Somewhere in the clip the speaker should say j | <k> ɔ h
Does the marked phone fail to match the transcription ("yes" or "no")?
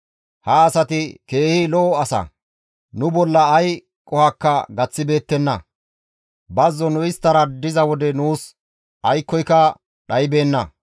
yes